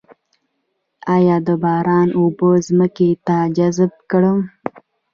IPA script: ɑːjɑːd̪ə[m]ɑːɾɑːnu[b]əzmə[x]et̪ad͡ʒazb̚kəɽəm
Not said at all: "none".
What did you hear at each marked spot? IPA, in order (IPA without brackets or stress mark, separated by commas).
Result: b, b, k